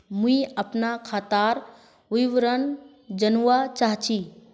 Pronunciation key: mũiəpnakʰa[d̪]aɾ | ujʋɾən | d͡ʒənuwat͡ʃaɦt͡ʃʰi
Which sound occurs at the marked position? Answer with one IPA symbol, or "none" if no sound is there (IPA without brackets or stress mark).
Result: t̪